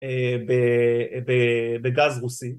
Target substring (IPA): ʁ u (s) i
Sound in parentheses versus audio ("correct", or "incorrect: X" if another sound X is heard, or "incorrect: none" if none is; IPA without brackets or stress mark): correct